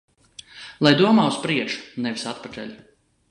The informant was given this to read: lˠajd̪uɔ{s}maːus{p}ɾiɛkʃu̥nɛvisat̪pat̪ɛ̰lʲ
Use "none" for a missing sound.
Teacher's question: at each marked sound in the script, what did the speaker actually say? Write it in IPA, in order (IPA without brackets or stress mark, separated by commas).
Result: none, p